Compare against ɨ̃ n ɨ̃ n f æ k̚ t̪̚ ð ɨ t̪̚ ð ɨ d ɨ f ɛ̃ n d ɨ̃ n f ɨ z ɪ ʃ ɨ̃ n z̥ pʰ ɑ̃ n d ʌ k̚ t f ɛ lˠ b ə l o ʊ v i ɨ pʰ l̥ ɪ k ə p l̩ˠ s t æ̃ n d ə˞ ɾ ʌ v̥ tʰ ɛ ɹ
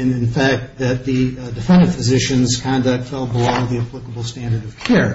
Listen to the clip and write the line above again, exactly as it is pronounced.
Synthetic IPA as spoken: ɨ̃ n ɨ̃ n f æ k̚ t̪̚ ð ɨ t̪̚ ð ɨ d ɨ f ɛ̃ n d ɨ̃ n f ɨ z ɪ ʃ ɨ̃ n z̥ kʰ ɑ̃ n d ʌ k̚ t f ɛ lˠ b ə l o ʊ ð i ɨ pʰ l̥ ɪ k ə b l̩ˠ s t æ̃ n d ə˞ ɾ ʌ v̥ kʰ ɛ ɹ

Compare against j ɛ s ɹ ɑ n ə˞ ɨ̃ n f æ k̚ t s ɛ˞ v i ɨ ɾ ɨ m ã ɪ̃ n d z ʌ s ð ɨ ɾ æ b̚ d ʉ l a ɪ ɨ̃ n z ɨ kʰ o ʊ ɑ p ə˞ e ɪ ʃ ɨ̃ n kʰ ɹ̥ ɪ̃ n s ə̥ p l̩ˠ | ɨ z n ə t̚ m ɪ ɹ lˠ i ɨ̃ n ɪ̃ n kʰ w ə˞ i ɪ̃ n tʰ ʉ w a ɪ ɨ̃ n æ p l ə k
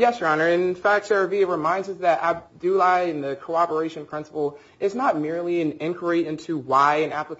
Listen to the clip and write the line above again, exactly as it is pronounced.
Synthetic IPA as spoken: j ɛ s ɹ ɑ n ə˞ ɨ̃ n f æ k̚ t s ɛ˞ v i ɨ ɹ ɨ m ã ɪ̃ n d z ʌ s ð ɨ ɾ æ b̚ d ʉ l a ɪ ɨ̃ n ð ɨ kʰ o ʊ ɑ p ə˞ e ɪ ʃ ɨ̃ n pʰ ɹ̥ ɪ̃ n s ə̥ p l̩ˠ | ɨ z n ə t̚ m ɪ ɹ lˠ i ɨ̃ n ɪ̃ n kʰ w ə˞ i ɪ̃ n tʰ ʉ w a ɪ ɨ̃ n æ p l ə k

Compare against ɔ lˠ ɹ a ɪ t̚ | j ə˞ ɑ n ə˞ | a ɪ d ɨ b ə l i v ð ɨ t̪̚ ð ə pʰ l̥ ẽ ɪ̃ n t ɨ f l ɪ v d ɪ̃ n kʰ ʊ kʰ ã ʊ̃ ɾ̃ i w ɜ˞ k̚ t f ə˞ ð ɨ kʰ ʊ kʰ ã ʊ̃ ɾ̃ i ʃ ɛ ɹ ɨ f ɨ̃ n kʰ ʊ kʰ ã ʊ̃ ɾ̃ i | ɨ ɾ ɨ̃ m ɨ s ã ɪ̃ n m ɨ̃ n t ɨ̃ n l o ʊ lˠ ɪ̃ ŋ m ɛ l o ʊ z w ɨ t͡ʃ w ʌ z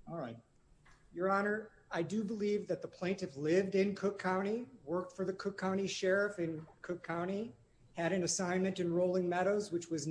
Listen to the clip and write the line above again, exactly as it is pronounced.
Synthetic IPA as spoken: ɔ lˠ ɹ a ɪ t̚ | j ə˞ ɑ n ə˞ | a ɪ d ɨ b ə l i v ð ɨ t̪̚ ð ə pʰ l̥ ẽ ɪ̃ n t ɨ f l ɪ v d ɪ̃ n kʰ ʊ kʰ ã ʊ̃ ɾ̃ i w ɜ˞ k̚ t f ə˞ ð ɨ kʰ ʊ kʰ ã ʊ̃ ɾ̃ i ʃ ɛ ɹ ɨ f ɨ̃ n kʰ ʊ kʰ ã ʊ̃ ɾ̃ i | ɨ ɾ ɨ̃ n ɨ s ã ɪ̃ n m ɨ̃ n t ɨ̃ n ɹ o ʊ lˠ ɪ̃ ŋ m ɛ ɾ o ʊ z w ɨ t͡ʃ w ʌ z

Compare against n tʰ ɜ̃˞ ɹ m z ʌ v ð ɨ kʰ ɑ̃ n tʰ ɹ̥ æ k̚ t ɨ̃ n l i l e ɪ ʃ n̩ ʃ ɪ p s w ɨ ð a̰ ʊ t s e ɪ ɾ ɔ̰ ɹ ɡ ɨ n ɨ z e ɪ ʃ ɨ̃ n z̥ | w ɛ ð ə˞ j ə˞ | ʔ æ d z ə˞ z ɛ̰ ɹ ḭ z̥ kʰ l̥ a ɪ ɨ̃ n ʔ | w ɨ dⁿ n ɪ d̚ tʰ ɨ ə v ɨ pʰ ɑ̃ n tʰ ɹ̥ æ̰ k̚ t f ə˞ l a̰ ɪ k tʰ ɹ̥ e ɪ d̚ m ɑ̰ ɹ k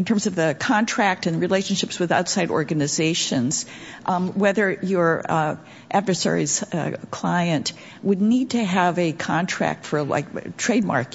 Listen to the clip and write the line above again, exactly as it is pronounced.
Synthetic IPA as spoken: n tʰ ɜ̃˞ m z ʌ v ð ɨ kʰ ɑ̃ n tʰ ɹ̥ æ k̚ t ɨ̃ n ɹ i l e ɪ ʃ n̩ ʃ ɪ p s w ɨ ð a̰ ʊ t s a ɪ ɾ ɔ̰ ɹ ɡ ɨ n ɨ z e ɪ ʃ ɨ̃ n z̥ | w ɛ ð ə˞ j ə˞ | ʔ æ d v ə˞ s ɛ̰ ɹ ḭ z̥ kʰ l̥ a ɪ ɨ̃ n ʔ | w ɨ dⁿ n i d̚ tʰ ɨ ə v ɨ kʰ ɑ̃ n tʰ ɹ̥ æ̰ k̚ t f ə˞ l a̰ ɪ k tʰ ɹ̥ e ɪ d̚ m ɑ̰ ɹ k

